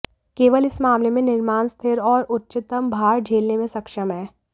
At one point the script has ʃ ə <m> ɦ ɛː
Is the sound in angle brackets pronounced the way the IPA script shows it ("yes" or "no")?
yes